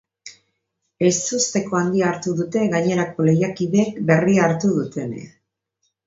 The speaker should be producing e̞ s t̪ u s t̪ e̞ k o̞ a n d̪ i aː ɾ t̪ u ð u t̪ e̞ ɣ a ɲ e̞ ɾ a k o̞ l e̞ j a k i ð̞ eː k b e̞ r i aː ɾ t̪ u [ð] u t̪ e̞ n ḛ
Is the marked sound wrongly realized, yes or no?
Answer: no